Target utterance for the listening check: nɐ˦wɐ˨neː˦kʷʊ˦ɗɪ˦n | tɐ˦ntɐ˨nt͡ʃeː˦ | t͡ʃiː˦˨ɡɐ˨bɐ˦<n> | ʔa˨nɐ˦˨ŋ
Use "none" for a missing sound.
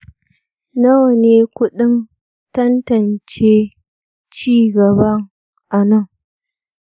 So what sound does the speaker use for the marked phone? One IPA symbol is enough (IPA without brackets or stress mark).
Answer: ŋ